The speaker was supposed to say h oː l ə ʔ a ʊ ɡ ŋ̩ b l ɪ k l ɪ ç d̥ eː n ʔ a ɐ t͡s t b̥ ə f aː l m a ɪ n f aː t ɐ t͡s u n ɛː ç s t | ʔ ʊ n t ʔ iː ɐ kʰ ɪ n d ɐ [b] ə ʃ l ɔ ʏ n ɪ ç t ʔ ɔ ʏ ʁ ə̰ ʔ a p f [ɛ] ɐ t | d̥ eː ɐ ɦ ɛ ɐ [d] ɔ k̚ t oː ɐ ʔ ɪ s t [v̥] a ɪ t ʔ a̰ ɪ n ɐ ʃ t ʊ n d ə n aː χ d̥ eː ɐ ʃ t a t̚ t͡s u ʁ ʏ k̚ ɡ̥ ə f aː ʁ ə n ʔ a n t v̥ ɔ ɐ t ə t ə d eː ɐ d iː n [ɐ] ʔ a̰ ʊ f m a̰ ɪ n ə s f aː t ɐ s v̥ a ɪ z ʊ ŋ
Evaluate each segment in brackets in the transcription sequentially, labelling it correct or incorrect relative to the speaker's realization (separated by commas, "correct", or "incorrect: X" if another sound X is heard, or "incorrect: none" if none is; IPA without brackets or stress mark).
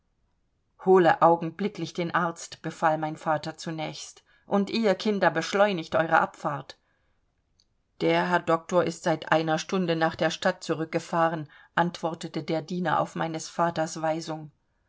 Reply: correct, incorrect: a, correct, incorrect: z̥, correct